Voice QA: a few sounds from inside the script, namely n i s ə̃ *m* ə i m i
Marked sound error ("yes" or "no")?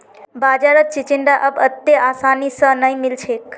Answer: yes